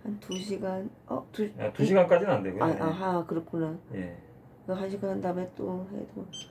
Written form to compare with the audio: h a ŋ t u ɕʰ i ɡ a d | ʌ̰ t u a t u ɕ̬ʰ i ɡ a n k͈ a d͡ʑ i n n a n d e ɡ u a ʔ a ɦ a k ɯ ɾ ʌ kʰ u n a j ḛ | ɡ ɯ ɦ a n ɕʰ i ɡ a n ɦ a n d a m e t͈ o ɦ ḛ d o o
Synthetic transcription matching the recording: h a n t u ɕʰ i ɡ a n | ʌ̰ t u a t u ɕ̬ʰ i ɡ a n k͈ a d͡ʑ i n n a n d e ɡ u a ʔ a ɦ a k ɯ ɾ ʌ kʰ u n a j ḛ | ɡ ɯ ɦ a n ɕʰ i ɡ a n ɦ a n d a m e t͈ o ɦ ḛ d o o